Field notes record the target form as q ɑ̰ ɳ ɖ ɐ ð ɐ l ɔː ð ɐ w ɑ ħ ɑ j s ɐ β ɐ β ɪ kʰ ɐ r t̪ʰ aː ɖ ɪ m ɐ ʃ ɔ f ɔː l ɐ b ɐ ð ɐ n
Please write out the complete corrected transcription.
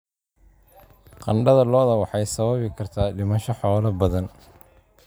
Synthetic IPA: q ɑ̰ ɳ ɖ ɐ ð ɐ l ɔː ð ɐ w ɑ ħ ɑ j s ɐ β ɐ β ɪ kʰ ɐ r t̪ʰ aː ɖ ɪ m ɐ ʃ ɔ ħ ɔː l ɐ b ɐ ð ɐ n